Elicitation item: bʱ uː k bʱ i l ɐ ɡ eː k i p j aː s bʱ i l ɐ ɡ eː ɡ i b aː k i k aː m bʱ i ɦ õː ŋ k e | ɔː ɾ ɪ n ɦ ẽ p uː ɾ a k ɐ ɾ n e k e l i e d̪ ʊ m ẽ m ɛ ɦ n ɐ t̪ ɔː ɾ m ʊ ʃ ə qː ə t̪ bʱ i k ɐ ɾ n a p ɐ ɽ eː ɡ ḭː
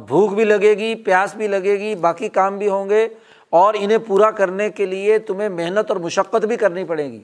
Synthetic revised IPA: bʱ uː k bʱ i l ɐ ɡ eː ɡ i p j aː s bʱ i l ɐ ɡ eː ɡ i b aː k i k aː m bʱ i ɦ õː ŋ ɡ e | ɔː ɾ ɪ n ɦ ẽ p uː ɾ a k ɐ ɾ n e k e l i e t̪ ʊ m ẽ m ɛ ɦ n ə t̪ ɔː ɾ m ʊ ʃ ə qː ə t̪ bʱ i k ɐ ɾ n i p ɐ ɽ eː ɡ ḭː